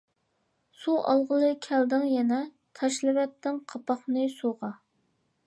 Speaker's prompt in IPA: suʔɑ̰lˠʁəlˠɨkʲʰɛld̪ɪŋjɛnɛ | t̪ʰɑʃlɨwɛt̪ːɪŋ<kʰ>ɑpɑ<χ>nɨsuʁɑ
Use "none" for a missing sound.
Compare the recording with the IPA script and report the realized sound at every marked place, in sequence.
qʰ, χ

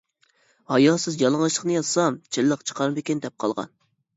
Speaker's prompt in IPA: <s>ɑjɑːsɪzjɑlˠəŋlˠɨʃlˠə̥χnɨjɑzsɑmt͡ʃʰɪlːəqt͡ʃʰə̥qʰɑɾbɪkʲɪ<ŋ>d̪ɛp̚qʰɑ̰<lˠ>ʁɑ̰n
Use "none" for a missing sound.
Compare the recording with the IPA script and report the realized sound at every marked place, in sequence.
h, n, lˠ

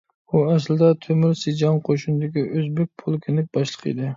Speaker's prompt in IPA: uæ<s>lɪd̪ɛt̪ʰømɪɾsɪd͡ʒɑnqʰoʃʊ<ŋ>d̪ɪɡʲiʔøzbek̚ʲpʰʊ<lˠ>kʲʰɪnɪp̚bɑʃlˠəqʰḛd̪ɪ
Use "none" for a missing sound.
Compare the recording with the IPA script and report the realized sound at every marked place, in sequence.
s, n, lˠ

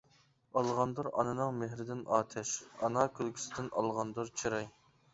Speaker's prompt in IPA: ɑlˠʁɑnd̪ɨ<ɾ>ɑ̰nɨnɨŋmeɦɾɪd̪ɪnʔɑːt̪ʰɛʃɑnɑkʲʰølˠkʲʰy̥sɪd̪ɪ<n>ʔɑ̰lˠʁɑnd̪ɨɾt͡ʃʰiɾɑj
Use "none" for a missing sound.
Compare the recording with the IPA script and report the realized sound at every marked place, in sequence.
ɾ, n

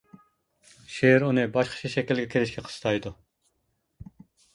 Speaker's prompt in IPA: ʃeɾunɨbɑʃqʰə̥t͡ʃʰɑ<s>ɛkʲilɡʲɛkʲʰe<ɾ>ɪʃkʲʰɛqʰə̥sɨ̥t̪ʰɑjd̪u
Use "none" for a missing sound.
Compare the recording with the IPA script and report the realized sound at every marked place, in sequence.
ʃ, l

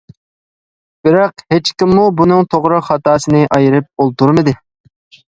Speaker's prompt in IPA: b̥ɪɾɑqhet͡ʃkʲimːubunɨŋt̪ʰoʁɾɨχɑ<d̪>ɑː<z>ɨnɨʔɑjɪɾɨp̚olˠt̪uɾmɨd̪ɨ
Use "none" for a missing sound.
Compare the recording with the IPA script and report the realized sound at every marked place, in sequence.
t̪, s

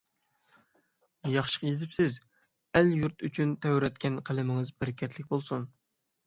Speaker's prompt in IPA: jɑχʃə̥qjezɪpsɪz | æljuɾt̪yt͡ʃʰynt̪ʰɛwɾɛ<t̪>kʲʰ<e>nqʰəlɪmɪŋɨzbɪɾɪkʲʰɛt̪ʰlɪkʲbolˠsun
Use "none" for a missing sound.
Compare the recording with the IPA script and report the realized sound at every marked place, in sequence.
t̪, ɛ

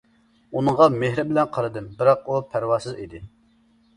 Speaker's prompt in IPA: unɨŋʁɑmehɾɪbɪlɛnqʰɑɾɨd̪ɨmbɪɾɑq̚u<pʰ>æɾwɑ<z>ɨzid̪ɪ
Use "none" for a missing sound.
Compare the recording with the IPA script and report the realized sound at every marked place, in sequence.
pʰ, s

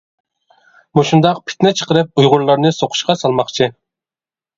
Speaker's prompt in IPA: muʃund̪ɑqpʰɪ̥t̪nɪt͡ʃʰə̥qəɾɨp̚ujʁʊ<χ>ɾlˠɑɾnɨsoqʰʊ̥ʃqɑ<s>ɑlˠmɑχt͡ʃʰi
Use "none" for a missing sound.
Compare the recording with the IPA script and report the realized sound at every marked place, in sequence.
none, s

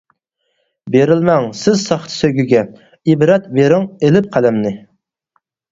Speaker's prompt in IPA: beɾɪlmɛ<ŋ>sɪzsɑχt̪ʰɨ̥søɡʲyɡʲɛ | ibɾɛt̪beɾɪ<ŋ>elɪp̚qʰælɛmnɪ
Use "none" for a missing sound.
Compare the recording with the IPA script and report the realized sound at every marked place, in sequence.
ŋ, ŋ

